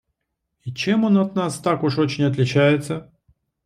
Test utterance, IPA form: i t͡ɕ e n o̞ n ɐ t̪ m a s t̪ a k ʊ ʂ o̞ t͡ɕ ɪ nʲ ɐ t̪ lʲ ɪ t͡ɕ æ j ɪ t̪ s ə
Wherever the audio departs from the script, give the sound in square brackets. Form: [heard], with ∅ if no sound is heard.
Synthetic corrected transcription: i t͡ɕ e [m] o̞ n ɐ t̪ [n] a s t̪ a k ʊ ʂ o̞ t͡ɕ ɪ nʲ ɐ t̪ lʲ ɪ t͡ɕ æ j ɪ t̪ s ə